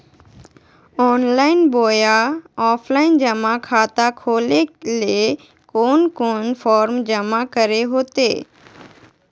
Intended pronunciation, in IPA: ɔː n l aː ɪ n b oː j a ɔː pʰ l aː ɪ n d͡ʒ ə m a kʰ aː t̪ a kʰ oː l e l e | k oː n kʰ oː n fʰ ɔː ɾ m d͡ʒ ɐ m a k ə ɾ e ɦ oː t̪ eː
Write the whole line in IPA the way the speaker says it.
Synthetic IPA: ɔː n l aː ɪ n b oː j a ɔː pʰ l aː ɪ n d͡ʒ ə m a kʰ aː t̪ a kʰ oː l e l e | k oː n k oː n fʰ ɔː ɾ m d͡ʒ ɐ m a k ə ɾ e ɦ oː t̪ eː